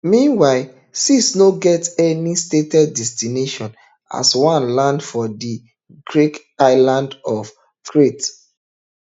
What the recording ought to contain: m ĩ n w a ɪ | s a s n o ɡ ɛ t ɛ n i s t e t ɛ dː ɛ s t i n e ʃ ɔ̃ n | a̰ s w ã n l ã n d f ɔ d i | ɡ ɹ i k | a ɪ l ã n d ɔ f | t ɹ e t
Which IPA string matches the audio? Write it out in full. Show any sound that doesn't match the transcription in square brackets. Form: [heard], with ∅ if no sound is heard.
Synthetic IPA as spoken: m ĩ n w a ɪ | s [i] s n o ɡ ɛ t ɛ n i s t e t ɛ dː ɛ s t i n e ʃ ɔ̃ n | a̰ s w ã n l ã n d f ɔ d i | ɡ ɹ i k | a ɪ l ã n d ɔ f | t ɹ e t

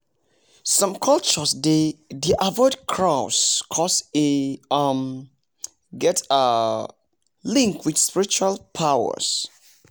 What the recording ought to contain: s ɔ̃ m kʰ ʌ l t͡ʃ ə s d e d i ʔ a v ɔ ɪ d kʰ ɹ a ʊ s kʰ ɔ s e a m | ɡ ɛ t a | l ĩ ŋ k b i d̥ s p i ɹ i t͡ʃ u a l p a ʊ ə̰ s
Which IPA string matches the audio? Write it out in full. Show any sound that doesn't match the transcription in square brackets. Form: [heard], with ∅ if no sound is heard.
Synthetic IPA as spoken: s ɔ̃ m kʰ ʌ l t͡ʃ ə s d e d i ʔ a v ɔ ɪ d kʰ ɹ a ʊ s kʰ ɔ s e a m | ɡ ɛ t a | l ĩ ŋ k [w] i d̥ s p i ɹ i t͡ʃ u a l [pʰ] a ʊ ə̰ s

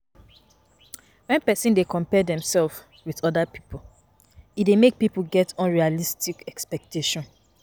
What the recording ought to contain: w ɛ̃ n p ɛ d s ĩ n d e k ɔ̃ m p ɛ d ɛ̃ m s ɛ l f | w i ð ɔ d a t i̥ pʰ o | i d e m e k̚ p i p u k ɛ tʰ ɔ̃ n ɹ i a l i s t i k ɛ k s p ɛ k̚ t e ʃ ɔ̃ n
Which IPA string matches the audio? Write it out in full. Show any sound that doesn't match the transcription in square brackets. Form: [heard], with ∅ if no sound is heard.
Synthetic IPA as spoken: w ɛ̃ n p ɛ [∅] s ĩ n d e k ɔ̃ m p ɛ d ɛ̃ m s ɛ l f | w i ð ɔ d a [p] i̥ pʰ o | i d e m e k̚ p i p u [ɡ] ɛ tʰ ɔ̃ n ɹ i a l i s t i k ɛ k s p ɛ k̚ t e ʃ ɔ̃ n

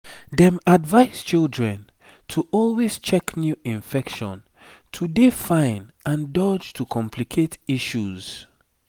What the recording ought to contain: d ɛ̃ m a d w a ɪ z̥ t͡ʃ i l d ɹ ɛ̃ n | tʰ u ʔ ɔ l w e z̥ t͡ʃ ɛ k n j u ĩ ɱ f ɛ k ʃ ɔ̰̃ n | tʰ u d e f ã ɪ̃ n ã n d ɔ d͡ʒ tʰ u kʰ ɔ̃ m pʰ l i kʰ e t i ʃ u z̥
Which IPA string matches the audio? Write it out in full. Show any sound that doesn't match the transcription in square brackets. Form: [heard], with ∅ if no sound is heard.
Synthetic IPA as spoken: d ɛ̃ m a d [v] a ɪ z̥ t͡ʃ i l d ɹ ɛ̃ n | tʰ u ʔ ɔ l w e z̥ t͡ʃ ɛ k n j u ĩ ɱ f ɛ k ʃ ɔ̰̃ n | tʰ u d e f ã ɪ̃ n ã n d ɔ d͡ʒ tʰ u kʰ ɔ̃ m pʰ l i kʰ e t i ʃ u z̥

